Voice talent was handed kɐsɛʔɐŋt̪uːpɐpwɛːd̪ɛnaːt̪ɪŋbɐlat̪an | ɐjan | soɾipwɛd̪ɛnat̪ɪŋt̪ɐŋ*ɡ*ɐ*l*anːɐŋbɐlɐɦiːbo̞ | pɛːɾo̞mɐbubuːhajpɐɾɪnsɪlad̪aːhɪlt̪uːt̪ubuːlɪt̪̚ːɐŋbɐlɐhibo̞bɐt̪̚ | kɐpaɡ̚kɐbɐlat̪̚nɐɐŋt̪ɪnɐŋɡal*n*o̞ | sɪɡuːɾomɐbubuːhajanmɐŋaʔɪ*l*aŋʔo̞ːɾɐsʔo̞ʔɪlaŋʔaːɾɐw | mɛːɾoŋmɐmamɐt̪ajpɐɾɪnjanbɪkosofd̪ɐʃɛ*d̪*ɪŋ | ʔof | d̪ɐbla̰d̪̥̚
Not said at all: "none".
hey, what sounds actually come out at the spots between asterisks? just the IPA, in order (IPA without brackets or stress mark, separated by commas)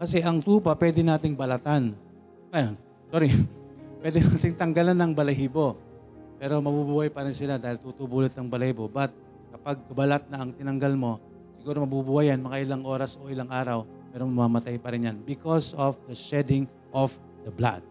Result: ɡ, l, m, l, d̪